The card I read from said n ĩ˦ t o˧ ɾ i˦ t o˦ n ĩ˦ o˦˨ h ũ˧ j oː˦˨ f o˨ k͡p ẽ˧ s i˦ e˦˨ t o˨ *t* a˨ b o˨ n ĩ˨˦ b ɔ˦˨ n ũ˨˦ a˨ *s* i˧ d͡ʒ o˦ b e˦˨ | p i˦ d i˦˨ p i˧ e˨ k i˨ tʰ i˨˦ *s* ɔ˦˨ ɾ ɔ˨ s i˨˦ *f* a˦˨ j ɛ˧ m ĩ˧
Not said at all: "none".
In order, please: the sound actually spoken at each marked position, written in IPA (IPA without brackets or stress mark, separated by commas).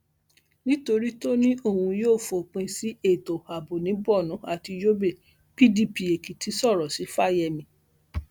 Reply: none, t, s, f